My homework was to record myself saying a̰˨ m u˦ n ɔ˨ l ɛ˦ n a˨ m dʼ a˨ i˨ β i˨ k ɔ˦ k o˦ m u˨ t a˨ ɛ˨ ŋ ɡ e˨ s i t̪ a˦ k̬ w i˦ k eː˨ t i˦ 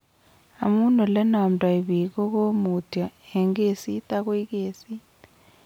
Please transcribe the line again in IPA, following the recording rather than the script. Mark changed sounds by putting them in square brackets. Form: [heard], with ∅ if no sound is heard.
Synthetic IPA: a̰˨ m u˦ n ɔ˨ l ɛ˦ n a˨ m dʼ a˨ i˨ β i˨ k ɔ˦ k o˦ m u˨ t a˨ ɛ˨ ŋ ɡ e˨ s i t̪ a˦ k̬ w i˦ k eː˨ [s] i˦

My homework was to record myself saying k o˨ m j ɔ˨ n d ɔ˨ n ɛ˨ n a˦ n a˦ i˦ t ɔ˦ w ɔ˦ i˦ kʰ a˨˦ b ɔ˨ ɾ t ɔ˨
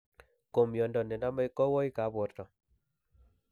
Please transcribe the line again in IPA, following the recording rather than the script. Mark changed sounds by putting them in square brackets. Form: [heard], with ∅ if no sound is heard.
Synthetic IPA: k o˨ m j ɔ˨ n d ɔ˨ n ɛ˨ n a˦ [m] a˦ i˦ [k] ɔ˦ w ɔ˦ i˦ [k] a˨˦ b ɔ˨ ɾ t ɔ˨

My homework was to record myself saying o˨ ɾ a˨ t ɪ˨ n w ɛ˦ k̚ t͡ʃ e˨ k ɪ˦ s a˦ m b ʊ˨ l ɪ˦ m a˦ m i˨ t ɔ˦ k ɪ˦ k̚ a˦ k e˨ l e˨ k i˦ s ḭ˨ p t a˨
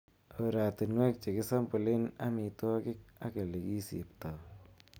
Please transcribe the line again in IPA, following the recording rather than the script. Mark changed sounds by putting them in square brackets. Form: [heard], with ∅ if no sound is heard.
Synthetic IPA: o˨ ɾ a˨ t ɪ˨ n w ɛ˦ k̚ t͡ʃ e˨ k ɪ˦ s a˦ m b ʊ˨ l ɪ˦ [n] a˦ m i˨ t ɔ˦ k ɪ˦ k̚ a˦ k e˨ l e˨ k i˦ s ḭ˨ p t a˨

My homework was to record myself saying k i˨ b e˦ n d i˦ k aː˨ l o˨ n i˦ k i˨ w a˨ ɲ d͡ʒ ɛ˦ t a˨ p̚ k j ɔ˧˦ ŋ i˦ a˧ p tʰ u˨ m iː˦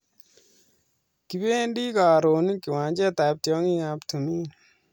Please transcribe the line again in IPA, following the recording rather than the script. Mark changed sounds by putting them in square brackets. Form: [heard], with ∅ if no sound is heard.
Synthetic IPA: k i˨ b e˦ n d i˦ k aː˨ [ɾ] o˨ n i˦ k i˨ w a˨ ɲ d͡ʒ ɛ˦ t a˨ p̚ [t] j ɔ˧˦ ŋ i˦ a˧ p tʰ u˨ m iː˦

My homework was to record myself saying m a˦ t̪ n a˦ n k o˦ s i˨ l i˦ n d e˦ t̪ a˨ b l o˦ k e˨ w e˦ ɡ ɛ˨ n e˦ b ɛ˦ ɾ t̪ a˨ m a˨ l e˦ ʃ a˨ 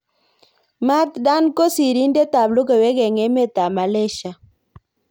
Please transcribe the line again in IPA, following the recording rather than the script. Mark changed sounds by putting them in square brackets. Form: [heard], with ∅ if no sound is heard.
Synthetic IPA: m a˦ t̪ [d] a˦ n k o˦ s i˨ [ɾ] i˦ n d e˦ t̪ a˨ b l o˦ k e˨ w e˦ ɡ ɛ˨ [ŋ] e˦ [m] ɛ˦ [∅] t̪ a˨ m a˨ l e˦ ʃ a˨

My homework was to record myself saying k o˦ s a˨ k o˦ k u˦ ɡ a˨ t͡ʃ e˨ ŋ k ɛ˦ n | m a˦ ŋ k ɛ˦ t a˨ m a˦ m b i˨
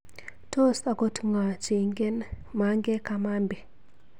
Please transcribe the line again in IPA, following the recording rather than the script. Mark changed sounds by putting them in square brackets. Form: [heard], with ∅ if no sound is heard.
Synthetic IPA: [t] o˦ s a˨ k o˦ [t] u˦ [ŋ] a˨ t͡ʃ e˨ ŋ [ɡ] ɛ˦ n | m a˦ ŋ [ɡ] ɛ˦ [k] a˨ m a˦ m b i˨

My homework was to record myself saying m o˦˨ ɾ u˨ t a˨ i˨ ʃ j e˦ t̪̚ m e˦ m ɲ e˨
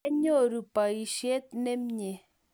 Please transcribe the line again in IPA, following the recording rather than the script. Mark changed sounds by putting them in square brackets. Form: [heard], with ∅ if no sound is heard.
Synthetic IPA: [ɲ] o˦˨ ɾ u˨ [p] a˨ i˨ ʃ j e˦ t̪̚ [n] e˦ m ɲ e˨

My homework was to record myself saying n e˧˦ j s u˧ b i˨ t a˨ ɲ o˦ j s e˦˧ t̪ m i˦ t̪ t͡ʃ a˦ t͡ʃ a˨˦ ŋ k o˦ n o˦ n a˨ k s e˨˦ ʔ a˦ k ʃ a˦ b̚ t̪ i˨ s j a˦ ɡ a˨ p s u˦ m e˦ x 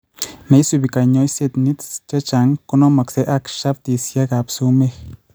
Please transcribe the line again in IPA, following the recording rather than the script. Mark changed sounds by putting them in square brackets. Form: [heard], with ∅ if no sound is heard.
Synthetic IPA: n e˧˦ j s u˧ b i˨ [k] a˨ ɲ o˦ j s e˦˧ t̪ [n] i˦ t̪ t͡ʃ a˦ t͡ʃ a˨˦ ŋ k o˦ n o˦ [m] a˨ k s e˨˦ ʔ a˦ k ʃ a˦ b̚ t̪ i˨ s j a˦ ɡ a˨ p s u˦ m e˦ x

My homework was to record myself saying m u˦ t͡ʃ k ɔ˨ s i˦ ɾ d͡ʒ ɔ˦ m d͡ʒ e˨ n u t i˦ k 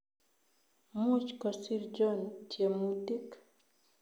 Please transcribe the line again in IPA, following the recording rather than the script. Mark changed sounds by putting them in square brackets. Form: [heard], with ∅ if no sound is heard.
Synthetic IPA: m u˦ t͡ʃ k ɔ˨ s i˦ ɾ d͡ʒ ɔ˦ [n] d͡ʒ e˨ [m] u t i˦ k

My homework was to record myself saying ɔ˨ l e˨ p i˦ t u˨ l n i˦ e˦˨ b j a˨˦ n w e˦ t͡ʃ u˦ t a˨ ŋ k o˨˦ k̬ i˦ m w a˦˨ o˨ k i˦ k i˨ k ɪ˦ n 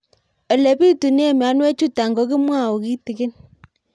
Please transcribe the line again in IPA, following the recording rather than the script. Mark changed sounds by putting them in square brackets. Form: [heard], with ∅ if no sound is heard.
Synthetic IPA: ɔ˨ l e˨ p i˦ t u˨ [∅] n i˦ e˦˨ [m] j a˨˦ n w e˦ t͡ʃ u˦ t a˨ ŋ [ɡ] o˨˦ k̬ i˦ m w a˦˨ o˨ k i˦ [t] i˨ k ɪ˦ n

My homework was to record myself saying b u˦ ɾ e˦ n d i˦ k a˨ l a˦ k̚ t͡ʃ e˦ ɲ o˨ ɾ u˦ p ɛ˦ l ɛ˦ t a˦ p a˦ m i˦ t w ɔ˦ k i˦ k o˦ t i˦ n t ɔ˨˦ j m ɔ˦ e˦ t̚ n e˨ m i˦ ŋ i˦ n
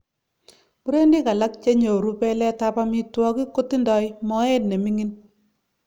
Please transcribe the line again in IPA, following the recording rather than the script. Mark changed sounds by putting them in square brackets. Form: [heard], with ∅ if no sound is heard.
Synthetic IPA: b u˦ ɾ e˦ n d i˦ k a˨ l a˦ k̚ t͡ʃ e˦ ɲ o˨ ɾ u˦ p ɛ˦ l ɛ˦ t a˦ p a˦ m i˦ t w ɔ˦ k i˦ k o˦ t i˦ n [d] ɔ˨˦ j m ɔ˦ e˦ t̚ n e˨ m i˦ ŋ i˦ n

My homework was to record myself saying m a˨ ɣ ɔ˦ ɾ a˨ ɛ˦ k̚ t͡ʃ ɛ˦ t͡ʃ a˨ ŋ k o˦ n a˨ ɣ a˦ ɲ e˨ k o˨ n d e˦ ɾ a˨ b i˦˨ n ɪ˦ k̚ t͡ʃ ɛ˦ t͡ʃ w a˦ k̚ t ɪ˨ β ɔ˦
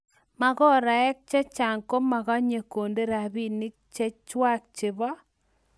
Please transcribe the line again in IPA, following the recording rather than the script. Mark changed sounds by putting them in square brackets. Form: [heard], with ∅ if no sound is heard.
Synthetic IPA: m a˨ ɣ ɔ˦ ɾ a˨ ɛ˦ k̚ t͡ʃ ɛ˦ t͡ʃ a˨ ŋ k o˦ [m] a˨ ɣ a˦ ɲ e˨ k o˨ n d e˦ ɾ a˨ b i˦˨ n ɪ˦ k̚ t͡ʃ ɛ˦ t͡ʃ w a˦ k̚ [t͡ʃ] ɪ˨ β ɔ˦

